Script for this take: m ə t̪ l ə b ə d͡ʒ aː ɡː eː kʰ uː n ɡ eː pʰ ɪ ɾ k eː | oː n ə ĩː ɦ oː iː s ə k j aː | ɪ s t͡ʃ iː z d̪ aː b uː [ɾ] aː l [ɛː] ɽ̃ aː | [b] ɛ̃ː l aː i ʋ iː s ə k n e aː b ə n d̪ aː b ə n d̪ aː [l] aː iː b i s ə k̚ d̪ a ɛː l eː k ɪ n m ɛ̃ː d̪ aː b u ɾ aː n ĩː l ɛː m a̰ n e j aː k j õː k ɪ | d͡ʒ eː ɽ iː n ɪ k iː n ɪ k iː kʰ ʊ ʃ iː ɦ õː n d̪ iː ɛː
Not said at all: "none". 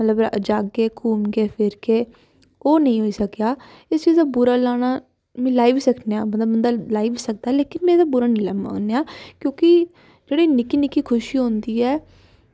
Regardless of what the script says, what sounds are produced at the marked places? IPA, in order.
ɾ, aː, m, l

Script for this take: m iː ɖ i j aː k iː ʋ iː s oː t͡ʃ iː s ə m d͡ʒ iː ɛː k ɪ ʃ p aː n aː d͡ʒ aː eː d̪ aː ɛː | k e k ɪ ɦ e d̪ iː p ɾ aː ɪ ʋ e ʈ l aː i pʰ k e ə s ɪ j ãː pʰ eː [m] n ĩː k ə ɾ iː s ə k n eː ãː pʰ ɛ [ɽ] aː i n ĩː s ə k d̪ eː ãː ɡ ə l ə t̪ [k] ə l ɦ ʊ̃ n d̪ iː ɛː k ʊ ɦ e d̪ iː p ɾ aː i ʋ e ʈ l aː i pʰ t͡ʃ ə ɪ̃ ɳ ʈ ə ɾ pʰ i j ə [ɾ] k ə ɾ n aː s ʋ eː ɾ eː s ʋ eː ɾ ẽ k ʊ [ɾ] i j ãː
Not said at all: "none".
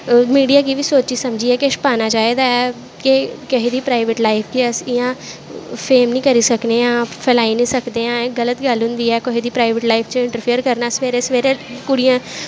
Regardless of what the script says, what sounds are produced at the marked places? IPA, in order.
m, l, ɡ, ɾ, ɽ

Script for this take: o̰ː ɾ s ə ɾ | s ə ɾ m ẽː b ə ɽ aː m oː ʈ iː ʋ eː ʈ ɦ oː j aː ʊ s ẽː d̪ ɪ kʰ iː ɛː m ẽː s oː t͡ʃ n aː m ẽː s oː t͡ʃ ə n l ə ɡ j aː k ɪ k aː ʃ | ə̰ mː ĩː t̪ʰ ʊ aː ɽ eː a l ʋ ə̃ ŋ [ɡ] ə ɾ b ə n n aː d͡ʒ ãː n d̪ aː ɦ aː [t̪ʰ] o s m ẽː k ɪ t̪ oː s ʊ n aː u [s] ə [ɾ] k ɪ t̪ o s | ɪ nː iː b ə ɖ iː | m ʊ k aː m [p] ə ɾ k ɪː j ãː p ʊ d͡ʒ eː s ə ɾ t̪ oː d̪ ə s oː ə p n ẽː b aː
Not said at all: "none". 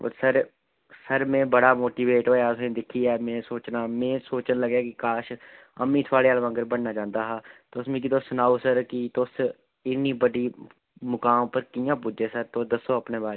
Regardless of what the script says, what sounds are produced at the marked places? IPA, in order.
ɡ, t̪, s, ɾ, p

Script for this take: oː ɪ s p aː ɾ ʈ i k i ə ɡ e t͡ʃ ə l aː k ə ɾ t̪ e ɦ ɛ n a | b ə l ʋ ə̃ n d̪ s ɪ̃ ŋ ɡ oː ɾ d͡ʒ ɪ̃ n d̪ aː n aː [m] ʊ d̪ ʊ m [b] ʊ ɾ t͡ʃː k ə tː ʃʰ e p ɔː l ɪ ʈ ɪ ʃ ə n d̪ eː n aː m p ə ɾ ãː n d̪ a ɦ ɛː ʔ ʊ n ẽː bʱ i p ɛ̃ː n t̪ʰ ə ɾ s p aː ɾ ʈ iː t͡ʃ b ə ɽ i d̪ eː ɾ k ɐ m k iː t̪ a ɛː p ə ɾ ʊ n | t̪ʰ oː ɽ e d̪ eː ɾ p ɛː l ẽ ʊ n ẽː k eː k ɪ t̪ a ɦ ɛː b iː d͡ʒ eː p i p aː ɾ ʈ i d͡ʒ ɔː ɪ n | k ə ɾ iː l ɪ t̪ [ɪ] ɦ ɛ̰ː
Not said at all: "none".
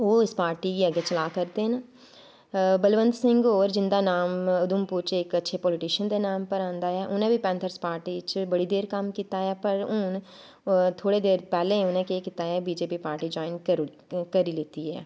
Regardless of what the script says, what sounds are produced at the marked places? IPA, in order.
m, p, i

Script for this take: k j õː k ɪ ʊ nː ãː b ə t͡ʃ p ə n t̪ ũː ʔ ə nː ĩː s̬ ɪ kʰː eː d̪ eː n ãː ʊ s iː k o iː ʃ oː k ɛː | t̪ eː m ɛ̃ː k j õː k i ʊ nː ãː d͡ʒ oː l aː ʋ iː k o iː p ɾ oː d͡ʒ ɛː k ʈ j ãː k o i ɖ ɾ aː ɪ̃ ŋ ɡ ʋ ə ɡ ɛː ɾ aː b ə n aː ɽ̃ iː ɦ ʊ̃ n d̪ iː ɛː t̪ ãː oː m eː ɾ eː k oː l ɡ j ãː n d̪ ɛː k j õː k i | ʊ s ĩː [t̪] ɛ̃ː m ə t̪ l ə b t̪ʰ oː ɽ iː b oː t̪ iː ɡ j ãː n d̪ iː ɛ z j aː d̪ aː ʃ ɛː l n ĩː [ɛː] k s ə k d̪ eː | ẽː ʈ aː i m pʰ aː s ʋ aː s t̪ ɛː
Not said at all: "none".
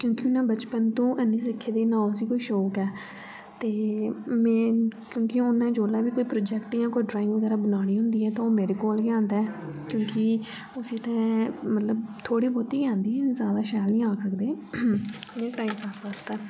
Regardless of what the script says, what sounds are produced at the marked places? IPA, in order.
t̪, aː

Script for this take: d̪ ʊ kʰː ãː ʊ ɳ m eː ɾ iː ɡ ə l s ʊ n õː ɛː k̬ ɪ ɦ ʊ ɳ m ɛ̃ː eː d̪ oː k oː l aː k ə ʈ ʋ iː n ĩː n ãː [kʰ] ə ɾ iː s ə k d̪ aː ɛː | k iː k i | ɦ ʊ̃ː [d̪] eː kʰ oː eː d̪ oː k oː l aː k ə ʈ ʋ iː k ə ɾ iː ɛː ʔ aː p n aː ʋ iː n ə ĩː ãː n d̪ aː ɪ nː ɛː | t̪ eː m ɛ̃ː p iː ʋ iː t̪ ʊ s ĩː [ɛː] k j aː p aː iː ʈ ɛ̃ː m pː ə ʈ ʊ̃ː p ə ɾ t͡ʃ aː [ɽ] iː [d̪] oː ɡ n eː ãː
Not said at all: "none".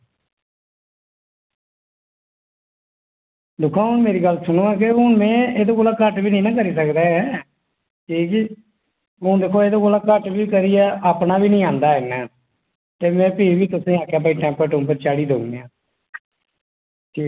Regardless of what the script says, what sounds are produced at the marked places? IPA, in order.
k, d̪, aː, ɽ, d̪

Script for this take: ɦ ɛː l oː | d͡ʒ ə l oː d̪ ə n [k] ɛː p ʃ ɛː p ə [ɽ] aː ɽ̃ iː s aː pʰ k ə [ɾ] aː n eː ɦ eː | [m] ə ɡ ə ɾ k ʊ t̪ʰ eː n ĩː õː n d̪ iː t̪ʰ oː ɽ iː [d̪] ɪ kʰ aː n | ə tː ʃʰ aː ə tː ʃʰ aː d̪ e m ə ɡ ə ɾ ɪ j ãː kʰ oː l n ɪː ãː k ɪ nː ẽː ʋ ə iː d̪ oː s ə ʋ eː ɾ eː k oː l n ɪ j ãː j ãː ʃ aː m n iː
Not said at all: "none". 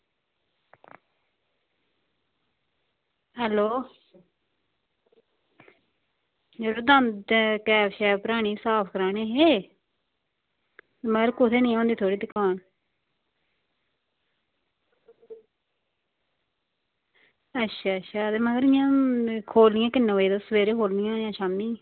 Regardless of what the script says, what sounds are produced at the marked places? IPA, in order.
k, ɾ, ɾ, m, d̪

